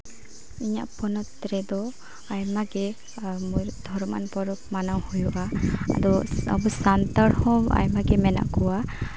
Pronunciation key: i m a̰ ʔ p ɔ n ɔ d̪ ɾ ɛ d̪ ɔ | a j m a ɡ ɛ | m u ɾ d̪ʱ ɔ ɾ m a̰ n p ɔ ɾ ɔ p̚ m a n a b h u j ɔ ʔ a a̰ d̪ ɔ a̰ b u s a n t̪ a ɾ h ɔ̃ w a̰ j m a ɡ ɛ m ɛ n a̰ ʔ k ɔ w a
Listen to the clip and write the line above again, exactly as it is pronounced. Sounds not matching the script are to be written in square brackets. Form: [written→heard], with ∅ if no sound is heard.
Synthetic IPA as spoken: i [m→ɲ] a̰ ʔ p ɔ n ɔ [d̪→t̪] ɾ ɛ d̪ ɔ | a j m a ɡ ɛ | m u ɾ d̪ʱ ɔ ɾ m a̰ n p ɔ ɾ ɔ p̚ m a n a [b→w] h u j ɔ ʔ a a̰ d̪ ɔ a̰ b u s a n t̪ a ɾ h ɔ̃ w a̰ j m a ɡ ɛ m ɛ n a̰ ʔ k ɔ w a